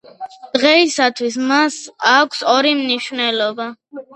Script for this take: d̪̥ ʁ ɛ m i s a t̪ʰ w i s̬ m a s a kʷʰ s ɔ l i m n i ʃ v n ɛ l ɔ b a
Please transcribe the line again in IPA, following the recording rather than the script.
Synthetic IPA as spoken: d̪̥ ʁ ɛ i s a t̪ʰ w i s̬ m a s a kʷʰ s ɔ ɾ i m n i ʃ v n ɛ l ɔ b a